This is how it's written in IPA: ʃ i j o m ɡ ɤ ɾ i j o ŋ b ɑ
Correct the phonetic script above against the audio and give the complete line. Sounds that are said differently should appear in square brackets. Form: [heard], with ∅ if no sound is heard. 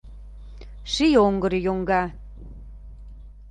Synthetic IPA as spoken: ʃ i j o [ŋ] ɡ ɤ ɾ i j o ŋ [ɡ] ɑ